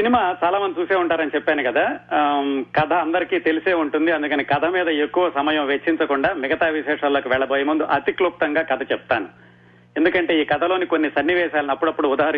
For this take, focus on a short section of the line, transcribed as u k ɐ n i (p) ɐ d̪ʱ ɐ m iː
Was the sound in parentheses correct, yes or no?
no